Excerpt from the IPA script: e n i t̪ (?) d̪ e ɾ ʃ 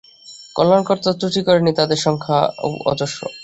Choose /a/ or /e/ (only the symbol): a